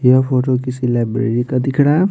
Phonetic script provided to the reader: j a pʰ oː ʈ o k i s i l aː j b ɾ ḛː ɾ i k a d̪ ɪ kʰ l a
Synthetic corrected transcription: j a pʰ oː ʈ o k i s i l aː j b ɾ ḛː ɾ i k a d̪ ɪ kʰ ɽ a